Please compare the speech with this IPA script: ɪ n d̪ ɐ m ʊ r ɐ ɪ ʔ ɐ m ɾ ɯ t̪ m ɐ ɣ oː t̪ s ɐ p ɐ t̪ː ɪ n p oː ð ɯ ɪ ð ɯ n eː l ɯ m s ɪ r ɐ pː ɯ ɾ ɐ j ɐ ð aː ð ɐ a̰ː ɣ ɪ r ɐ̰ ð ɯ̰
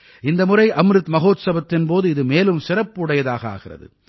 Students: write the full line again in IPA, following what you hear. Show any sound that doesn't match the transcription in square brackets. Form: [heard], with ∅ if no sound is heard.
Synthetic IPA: ɪ n d̪ ɐ m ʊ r ɐ ɪ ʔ ɐ m ɾ ɯ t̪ m ɐ ɣ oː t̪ s ɐ [b] ɐ t̪ː ɪ n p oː ð ɯ ɪ ð ɯ [m] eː l ɯ m s ɪ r ɐ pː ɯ [ɽ] ɐ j ɐ ð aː [ɣ] ɐ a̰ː ɣ ɪ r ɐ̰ ð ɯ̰